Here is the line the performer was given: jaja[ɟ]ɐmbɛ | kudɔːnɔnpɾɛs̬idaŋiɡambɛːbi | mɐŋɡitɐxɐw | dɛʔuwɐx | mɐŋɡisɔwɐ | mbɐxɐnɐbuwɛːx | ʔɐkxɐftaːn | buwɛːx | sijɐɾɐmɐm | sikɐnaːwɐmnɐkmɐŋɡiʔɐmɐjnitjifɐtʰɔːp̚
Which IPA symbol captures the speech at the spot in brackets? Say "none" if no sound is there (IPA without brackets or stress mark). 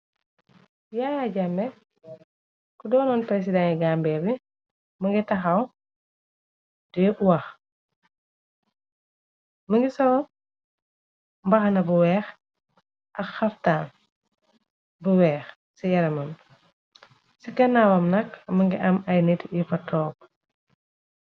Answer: ɟ